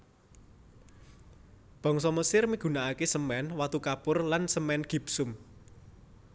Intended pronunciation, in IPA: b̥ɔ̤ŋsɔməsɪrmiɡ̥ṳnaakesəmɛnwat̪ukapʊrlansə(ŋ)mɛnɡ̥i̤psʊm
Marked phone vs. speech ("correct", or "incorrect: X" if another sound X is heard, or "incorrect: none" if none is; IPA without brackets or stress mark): incorrect: none